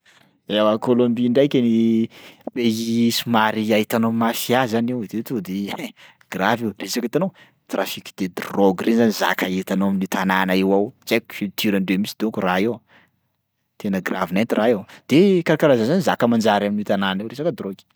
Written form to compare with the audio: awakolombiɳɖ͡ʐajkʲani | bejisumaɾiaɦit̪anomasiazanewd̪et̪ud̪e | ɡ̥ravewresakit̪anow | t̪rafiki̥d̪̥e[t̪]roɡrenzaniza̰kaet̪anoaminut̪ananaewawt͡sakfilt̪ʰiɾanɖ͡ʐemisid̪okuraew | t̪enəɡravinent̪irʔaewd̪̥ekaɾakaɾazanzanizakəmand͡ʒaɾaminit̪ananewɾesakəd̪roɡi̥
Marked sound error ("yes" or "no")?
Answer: yes